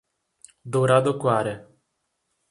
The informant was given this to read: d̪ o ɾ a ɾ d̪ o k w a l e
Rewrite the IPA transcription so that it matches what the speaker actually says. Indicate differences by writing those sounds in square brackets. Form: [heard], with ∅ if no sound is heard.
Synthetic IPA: d̪ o ɾ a [∅] d̪ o k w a [ɾ] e

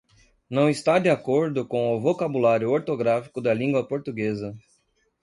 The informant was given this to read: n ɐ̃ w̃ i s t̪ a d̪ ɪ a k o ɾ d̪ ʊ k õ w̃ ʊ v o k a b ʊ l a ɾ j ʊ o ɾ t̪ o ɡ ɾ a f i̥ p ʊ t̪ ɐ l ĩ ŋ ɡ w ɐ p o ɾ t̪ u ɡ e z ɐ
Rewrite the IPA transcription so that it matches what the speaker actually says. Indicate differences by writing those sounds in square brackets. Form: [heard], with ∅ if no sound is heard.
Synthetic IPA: n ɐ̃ w̃ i s t̪ a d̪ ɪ a k o ɾ d̪ ʊ k õ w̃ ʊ v o k a b [u] l a ɾ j ʊ o ɾ t̪ o ɡ ɾ a f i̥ [k] ʊ [d̪] ɐ l ĩ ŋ ɡ w ɐ p o ɾ t̪ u ɡ e z ɐ

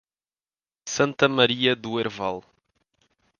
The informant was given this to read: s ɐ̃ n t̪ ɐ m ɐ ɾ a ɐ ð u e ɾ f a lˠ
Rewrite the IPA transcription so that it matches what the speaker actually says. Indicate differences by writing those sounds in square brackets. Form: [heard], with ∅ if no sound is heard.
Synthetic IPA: s ɐ̃ n t̪ ɐ m ɐ ɾ [i] ɐ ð u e ɾ [v] a lˠ

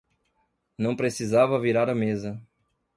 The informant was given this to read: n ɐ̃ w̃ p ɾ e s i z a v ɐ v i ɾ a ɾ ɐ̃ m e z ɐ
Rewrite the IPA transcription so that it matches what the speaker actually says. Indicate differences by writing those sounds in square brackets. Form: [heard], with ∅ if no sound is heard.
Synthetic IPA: n ɐ̃ w̃ p ɾ e s i z a v ɐ v i ɾ a ɾ [ɐ] m e z ɐ

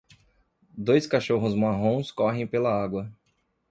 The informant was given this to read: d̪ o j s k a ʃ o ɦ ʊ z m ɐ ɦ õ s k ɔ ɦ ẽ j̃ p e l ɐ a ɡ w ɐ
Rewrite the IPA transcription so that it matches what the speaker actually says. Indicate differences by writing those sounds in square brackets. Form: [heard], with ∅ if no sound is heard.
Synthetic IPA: d̪ o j s k a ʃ o ɦ ʊ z m [a] ɦ õ s k ɔ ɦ ẽ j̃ p e l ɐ a ɡ w ɐ

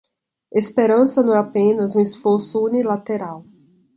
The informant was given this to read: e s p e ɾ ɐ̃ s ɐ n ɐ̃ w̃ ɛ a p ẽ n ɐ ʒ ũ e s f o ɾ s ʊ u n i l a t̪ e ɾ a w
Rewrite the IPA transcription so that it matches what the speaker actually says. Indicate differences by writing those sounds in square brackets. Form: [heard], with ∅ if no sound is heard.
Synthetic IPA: e s p e ɾ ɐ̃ s ɐ n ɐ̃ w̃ ɛ a p ẽ n ɐ [z] ũ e s f o ɾ s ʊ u n i l a t̪ e ɾ a w

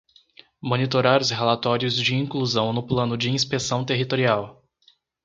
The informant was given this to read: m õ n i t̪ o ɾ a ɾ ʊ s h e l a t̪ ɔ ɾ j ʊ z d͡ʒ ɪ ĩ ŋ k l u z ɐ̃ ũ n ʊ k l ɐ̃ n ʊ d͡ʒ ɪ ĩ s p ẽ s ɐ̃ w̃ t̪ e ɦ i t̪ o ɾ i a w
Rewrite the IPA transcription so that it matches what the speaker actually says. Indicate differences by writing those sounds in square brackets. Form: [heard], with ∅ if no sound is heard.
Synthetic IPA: m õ n i t̪ o ɾ a ɾ ʊ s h e l a t̪ ɔ ɾ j ʊ z d͡ʒ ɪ ĩ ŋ k l u z ɐ̃ [w̃] n ʊ [p] l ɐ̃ n ʊ d͡ʒ ɪ ĩ s p [e] s ɐ̃ w̃ t̪ e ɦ i t̪ o ɾ i a w

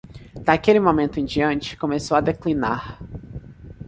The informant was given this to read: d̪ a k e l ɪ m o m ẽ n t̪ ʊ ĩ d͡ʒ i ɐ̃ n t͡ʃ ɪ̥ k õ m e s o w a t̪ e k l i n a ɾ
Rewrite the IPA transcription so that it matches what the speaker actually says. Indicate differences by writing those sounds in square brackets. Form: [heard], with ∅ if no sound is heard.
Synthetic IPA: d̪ a k e l ɪ m o m ẽ n t̪ ʊ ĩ d͡ʒ i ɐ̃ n t͡ʃ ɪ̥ k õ m e s o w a [d̪] e k l i n a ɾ

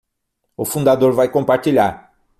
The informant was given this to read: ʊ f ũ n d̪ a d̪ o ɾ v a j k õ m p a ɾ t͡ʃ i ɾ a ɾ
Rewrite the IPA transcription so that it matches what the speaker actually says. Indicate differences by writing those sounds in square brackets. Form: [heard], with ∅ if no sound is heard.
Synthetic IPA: ʊ f ũ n d̪ a d̪ o ɾ v a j k õ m p a ɾ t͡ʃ i [ʎ] a ɾ

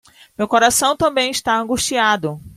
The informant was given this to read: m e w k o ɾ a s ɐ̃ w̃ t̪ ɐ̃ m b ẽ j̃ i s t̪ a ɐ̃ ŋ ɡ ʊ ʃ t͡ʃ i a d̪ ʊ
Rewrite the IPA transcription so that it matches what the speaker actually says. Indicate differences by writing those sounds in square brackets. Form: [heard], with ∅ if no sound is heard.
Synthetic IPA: m e w k o ɾ a s ɐ̃ w̃ t̪ ɐ̃ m b ẽ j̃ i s t̪ a ɐ̃ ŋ ɡ [u] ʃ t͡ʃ i a d̪ ʊ

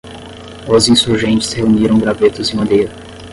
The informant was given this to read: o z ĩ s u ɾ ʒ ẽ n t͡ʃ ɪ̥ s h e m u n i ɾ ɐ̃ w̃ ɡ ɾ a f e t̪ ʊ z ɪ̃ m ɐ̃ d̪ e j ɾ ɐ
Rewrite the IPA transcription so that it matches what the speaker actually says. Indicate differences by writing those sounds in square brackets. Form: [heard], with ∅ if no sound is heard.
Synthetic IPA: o z ĩ s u ɾ ʒ ẽ n t͡ʃ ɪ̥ s h e [∅] u n i ɾ ɐ̃ w̃ ɡ ɾ a [v] e t̪ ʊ z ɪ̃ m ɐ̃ d̪ e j ɾ ɐ

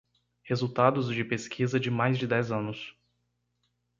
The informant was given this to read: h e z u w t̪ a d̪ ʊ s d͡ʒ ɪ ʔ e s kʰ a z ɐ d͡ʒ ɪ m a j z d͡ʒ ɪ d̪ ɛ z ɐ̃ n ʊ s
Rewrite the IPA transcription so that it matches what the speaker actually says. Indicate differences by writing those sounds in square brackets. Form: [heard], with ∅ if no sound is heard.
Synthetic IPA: h e z u w t̪ a d̪ ʊ [z] d͡ʒ ɪ [p] e s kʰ [i] z ɐ d͡ʒ ɪ m a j z d͡ʒ ɪ d̪ ɛ z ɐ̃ n ʊ s

